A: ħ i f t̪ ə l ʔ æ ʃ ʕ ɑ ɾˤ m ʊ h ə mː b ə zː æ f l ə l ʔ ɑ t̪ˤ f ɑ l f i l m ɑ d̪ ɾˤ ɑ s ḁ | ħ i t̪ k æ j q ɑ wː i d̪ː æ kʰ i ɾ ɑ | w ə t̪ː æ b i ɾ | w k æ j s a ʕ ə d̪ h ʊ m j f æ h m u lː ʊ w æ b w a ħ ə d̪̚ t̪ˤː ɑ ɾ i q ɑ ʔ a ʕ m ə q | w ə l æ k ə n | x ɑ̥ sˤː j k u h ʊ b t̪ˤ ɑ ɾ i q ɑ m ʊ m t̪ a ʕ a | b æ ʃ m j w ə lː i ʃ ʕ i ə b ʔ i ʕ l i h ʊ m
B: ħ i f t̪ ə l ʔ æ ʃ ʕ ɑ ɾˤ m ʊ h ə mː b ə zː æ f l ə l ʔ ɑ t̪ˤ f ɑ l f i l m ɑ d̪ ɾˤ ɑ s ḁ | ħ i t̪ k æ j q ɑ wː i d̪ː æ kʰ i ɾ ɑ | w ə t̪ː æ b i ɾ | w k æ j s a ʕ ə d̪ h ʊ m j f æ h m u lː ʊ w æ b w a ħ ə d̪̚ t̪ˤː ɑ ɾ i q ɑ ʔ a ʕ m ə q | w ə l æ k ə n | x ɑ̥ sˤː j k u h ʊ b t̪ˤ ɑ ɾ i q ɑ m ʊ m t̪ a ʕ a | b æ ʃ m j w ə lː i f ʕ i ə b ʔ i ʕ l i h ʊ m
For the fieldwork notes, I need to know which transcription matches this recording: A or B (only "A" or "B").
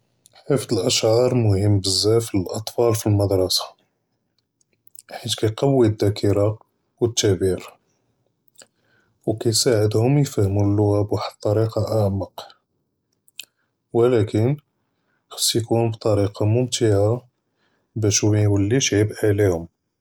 A